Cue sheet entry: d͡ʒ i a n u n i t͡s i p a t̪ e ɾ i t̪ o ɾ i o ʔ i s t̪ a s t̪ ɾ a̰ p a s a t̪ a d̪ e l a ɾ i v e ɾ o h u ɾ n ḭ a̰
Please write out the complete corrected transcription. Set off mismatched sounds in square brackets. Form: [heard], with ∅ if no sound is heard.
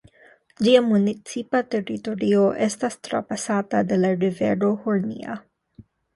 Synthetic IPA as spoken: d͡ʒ i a [m] u n i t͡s i p a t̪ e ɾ i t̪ o ɾ i o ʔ [e] s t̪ a s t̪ ɾ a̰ p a s a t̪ a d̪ e l a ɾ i v e ɾ o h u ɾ n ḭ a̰